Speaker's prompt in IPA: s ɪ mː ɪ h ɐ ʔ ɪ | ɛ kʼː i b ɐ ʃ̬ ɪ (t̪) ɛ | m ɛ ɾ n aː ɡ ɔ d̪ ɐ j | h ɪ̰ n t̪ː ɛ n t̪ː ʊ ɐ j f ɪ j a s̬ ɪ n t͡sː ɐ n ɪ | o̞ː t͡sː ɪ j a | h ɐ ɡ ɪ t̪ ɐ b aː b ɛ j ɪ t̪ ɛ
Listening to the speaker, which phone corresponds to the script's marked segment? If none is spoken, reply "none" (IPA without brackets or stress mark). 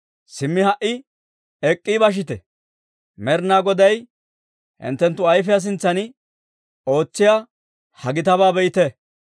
t̪